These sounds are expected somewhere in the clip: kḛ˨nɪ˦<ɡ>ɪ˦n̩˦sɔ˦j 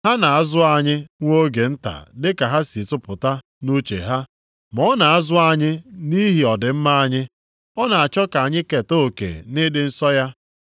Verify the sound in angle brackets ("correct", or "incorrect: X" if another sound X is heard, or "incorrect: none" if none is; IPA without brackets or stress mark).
incorrect: d